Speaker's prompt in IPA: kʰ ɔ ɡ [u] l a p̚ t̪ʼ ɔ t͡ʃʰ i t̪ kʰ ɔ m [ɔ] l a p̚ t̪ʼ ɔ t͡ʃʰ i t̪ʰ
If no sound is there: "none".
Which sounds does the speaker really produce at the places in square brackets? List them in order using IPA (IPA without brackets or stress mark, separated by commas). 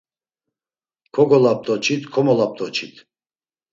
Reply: ɔ, ɔ